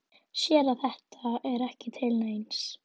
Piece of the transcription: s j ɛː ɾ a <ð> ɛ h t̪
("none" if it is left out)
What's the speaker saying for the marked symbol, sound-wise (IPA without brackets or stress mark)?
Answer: θ